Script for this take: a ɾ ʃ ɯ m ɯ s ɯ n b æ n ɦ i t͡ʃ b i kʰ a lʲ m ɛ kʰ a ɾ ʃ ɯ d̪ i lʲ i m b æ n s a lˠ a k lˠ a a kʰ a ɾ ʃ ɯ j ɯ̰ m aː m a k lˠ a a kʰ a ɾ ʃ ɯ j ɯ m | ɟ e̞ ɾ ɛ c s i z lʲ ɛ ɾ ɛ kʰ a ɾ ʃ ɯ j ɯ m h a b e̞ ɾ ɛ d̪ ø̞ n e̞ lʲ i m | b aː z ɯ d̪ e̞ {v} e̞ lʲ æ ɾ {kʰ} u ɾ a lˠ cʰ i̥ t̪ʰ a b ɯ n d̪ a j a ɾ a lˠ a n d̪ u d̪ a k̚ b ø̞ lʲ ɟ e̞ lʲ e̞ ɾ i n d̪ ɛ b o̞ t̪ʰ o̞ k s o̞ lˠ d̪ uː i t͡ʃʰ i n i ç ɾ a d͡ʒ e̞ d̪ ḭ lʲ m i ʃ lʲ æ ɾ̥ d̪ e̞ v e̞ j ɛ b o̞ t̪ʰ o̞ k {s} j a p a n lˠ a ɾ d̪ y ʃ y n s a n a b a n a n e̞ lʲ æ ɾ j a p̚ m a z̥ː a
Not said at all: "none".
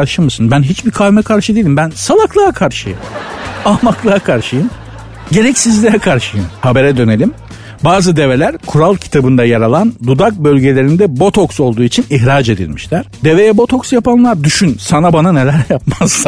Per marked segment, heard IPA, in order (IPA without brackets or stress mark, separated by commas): v, kʰ, s